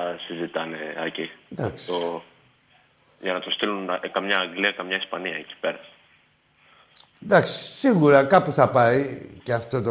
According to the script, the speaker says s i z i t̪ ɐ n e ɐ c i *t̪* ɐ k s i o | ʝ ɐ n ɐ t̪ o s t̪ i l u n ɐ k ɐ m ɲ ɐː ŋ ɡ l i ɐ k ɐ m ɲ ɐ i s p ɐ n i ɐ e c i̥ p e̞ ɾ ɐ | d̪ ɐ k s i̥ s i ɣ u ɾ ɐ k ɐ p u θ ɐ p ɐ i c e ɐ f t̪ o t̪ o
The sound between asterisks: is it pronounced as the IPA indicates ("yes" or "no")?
no